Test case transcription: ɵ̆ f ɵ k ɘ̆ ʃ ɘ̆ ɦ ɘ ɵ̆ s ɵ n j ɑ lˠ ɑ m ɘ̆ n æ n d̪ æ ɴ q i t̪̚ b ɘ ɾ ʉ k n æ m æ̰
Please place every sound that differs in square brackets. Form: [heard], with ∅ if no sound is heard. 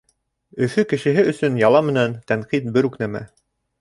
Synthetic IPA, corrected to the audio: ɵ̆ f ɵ k ɘ̆ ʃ ɘ̆ ɦ ɘ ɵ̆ s ɵ n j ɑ lˠ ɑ m ɘ̆ n æ n [t̪] æ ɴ q i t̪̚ b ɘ ɾ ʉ k n æ m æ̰